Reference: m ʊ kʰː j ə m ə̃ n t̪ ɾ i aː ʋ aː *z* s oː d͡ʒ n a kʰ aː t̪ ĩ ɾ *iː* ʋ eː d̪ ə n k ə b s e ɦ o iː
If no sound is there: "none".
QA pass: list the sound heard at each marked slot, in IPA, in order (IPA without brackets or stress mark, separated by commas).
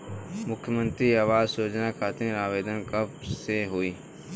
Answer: z, aː